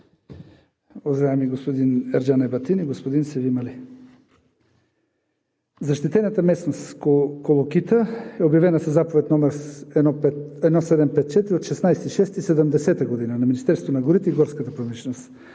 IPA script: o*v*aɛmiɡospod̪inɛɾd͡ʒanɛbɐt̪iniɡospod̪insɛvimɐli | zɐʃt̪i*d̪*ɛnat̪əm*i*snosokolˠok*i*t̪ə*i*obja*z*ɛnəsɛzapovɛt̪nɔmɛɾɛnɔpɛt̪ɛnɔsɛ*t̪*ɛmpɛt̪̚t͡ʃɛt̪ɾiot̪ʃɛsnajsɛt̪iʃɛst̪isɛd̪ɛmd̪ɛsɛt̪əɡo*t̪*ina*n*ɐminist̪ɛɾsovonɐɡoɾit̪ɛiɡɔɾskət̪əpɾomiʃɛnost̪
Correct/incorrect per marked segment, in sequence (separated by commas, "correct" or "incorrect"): incorrect, incorrect, incorrect, correct, incorrect, incorrect, incorrect, incorrect, correct